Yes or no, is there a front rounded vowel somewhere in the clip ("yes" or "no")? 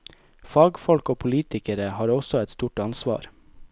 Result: no